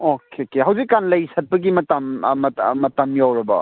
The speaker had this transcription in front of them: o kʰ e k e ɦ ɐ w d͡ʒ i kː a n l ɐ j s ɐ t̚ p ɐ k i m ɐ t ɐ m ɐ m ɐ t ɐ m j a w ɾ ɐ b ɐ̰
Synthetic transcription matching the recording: o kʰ e k e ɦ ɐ w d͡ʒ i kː a n l ɐ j s ɐ t̚ p ɐ ɡ i m ɐ t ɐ m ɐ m ɐ t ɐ m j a w ɾ ɐ b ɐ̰